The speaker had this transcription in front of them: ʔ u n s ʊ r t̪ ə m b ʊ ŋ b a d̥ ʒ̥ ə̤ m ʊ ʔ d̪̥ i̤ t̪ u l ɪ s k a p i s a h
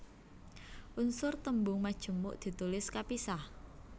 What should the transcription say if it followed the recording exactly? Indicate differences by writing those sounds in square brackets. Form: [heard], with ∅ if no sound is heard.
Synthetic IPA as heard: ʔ u n s ʊ r t̪ ə m b ʊ ŋ [m] a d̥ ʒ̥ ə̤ m ʊ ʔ d̪̥ i̤ t̪ u l ɪ s k a p i s a h